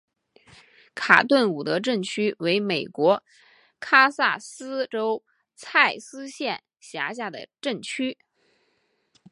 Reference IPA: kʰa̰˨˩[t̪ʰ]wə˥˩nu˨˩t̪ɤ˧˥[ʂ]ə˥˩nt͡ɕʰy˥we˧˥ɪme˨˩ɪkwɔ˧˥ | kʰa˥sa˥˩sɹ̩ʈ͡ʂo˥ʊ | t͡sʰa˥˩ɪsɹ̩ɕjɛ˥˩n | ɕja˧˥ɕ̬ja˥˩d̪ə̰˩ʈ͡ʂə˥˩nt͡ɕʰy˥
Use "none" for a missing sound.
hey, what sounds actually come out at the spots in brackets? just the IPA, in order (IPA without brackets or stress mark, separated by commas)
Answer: t̪, ʈ͡ʂ